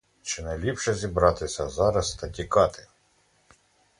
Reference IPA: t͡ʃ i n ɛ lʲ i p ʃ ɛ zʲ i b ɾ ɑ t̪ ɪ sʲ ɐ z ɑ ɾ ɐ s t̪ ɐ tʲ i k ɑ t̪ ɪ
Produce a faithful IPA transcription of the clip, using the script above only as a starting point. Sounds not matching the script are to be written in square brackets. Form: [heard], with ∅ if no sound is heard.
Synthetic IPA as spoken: t͡ʃ [ɪ] n ɛ lʲ i p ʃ ɛ zʲ i b ɾ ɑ t̪ ɪ sʲ ɐ z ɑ ɾ ɐ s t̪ ɐ tʲ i k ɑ t̪ ɪ